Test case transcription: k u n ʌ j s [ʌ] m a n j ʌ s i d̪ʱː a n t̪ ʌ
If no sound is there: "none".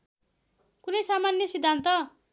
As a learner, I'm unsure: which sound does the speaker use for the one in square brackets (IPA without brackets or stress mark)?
a